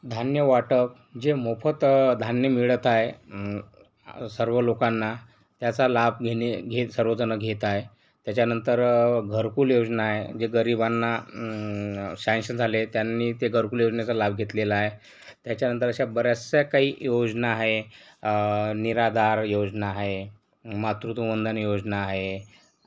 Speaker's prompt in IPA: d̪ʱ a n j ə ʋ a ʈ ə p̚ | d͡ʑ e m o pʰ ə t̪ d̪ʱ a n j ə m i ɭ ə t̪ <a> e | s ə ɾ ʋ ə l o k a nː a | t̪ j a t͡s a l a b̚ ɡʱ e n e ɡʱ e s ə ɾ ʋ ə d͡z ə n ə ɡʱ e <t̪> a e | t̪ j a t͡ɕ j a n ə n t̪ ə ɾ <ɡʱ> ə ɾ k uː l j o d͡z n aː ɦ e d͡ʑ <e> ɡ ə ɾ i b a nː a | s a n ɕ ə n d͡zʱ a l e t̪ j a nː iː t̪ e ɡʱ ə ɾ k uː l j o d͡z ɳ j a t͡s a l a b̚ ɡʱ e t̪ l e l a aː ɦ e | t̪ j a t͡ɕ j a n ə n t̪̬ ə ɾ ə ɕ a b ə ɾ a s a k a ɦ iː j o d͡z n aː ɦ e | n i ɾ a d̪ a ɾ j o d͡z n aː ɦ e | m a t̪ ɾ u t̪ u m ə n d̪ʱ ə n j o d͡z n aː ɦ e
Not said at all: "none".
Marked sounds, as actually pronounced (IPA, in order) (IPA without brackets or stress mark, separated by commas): a, t̪, ɡʱ, e